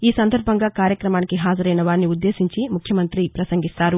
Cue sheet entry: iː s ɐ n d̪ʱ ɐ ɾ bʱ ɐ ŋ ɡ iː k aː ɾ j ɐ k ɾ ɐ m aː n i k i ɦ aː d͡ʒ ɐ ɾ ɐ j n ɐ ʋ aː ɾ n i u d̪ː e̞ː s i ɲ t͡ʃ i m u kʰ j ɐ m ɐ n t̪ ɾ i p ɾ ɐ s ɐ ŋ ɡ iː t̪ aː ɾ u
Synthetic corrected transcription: iː s ɐ n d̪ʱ ɐ ɾ bʱ ɐ ŋ ɡ aː k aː ɾ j ɐ k ɾ ɐ m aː n i k i ɦ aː d͡ʒ ɐ ɾ ɐ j n ɐ ʋ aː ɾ n i u d̪ː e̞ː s i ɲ t͡ʃ i m u kʰ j ɐ m ɐ n t̪ ɾ i p ɾ ɐ s ɐ ŋ ɡ i t̪ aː ɾ u